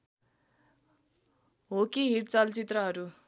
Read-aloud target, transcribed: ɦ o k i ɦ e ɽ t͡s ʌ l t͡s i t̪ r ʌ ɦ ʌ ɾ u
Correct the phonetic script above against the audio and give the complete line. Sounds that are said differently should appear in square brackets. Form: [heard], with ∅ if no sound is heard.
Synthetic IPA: ɦ o k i ɦ [i] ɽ t͡s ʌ l t͡s i t̪ r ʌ ɦ ʌ ɾ u